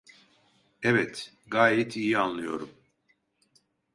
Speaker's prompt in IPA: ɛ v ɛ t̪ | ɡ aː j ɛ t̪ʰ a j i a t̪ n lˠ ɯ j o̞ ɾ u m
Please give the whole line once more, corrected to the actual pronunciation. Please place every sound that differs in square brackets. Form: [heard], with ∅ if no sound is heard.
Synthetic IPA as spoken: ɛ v ɛ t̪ | ɡ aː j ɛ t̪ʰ [i] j i a [∅] n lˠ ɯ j o̞ ɾ u m